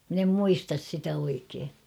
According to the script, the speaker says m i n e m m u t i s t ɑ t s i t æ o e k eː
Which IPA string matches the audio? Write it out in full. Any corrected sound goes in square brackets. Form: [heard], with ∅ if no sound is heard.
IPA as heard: m i n e m m u [∅] i s t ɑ [s] s i t æ o [i] k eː